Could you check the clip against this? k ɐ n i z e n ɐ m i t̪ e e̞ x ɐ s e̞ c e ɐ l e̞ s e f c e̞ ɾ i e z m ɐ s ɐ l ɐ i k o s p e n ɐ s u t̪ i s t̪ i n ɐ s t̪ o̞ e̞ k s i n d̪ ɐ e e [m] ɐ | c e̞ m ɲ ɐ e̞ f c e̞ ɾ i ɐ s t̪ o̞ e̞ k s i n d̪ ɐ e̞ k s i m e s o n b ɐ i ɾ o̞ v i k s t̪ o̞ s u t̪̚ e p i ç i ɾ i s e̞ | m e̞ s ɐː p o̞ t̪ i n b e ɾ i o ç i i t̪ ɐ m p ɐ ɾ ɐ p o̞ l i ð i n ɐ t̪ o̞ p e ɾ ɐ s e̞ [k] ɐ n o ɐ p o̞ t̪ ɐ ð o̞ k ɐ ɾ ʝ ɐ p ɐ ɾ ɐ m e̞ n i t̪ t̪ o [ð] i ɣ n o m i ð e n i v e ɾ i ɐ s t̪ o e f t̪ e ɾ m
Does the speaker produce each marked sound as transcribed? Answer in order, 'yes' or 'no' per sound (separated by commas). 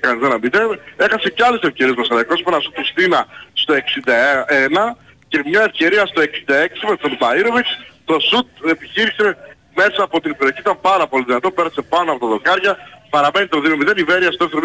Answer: no, no, yes